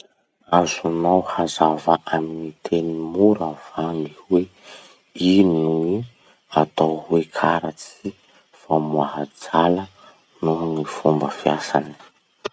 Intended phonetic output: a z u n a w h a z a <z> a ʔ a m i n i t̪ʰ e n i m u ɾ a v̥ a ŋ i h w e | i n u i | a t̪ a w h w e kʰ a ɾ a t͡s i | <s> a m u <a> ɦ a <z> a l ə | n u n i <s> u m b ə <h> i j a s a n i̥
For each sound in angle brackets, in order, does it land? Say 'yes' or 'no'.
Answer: no, no, yes, no, no, no

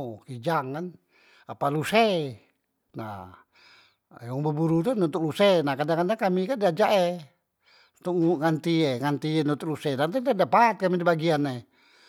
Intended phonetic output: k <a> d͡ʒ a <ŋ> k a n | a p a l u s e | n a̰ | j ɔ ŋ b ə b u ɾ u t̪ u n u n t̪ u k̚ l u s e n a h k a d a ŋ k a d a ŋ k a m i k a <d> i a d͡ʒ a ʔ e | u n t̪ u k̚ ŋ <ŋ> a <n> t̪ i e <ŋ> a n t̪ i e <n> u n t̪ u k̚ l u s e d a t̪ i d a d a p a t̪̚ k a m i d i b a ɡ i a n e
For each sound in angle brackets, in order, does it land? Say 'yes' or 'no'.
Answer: no, yes, yes, yes, yes, yes, yes

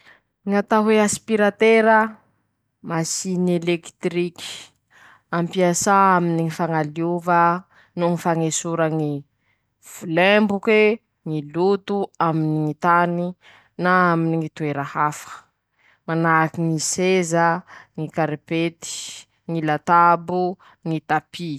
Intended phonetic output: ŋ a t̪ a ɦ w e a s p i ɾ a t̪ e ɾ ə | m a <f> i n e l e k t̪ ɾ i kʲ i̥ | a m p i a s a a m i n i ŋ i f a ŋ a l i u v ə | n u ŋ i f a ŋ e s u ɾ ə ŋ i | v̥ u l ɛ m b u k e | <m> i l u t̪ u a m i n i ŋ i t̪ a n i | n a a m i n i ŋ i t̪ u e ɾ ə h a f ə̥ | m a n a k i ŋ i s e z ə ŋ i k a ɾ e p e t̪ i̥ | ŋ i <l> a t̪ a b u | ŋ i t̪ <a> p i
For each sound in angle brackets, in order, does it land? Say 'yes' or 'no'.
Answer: no, no, yes, yes

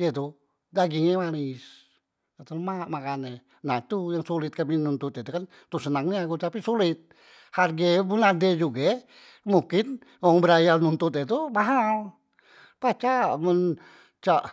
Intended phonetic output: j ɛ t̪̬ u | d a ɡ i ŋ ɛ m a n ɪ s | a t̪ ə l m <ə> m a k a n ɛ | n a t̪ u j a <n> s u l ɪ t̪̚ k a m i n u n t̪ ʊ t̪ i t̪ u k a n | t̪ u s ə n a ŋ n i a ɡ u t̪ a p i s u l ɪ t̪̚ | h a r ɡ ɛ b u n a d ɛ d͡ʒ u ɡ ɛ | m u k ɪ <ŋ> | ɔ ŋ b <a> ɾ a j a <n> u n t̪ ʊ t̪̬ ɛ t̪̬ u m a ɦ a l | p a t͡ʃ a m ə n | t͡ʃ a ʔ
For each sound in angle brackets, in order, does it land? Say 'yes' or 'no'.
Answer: no, no, no, no, yes

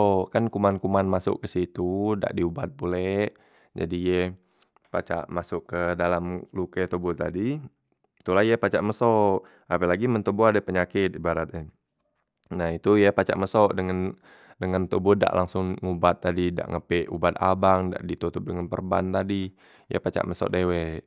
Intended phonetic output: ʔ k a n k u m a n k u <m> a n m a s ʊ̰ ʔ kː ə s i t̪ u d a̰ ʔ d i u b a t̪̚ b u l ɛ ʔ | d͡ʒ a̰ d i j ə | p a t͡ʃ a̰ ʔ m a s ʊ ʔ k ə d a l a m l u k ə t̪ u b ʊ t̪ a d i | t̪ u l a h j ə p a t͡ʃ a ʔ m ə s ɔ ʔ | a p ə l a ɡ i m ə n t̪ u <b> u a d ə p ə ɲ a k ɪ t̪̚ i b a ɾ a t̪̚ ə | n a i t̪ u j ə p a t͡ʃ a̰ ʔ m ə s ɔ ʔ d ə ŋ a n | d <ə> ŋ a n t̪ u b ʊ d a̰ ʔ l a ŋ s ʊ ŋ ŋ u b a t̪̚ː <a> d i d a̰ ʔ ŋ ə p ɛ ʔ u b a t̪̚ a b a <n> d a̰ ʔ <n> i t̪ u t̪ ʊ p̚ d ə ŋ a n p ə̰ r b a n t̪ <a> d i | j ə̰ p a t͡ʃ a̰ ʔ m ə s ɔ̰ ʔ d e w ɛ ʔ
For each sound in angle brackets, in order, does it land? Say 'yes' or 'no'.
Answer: yes, yes, yes, yes, no, no, yes

